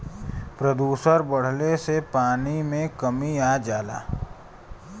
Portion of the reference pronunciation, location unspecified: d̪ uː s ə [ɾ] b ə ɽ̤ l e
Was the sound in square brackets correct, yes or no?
yes